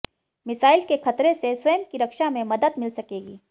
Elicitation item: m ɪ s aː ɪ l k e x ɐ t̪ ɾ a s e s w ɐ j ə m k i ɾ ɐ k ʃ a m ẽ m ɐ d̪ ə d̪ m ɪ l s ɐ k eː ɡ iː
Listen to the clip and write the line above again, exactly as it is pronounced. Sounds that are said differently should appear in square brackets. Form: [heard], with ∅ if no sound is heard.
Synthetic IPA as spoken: m ɪ s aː ɪ l k e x ɐ t̪ ɾ [e] s e s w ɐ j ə m k i ɾ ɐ k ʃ a m ẽ m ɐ d̪ ə d̪ m ɪ l s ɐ k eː ɡ iː